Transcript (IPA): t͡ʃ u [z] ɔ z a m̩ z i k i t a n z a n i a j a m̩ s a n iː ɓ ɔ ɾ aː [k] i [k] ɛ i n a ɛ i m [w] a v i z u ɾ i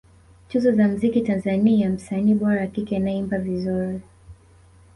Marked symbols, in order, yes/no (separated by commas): yes, yes, yes, no